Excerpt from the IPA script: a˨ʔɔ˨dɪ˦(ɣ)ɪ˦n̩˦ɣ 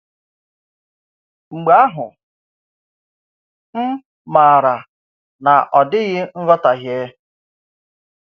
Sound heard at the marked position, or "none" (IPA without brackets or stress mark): ɣ